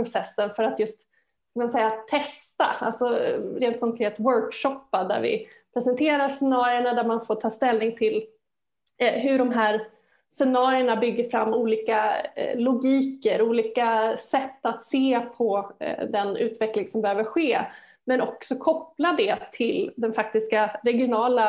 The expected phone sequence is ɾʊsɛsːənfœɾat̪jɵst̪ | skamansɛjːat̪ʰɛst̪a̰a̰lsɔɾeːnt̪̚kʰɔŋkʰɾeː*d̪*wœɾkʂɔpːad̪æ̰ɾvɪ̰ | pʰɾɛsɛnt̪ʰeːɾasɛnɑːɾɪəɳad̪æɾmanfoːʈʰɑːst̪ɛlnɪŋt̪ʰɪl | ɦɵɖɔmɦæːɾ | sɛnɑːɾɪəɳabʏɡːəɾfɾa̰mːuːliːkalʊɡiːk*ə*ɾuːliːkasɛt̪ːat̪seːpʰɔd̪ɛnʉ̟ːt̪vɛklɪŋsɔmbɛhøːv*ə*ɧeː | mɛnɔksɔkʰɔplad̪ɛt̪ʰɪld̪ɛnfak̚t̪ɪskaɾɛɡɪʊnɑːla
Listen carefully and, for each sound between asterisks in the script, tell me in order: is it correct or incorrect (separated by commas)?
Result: incorrect, correct, correct